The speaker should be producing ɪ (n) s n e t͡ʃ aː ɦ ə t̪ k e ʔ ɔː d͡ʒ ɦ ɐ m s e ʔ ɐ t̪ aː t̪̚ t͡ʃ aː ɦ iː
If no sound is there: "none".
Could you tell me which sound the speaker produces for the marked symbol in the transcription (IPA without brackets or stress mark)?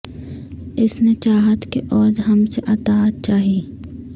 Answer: none